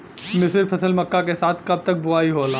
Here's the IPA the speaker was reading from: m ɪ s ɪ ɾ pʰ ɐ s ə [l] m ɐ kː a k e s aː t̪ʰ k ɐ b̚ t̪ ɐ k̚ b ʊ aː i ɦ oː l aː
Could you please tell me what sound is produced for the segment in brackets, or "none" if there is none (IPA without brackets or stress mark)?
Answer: l